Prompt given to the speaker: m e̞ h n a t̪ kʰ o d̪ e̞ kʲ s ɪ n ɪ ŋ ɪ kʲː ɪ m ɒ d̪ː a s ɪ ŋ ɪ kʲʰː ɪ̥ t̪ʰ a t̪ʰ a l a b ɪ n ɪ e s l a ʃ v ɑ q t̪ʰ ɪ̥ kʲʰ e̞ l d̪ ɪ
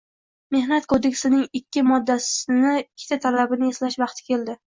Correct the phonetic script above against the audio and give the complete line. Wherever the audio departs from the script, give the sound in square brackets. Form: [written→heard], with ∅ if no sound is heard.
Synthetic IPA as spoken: m e̞ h n a t̪ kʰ o d̪ e̞ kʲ s ɪ n ɪ ŋ ɪ kʲː ɪ m ɒ d̪ː a s ɪ [ŋ→n] ɪ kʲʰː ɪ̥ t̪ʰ a t̪ʰ a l a b ɪ n ɪ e s l a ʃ v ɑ q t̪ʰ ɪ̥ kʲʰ e̞ l d̪ ɪ